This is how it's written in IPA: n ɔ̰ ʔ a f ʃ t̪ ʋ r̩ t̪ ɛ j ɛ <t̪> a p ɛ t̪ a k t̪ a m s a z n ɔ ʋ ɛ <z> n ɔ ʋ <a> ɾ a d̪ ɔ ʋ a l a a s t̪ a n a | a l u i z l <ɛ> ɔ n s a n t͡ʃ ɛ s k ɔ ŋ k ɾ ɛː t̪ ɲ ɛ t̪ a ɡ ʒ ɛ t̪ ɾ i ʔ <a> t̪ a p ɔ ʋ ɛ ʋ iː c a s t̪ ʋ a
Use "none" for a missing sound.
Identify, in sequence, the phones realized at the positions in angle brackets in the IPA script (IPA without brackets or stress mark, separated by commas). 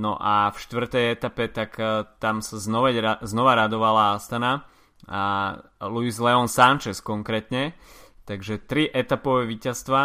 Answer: t̪, z, a, ɛ, ɛ